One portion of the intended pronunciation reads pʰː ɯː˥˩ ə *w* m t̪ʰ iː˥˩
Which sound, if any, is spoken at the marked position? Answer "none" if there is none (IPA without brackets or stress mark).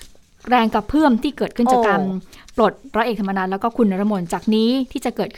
none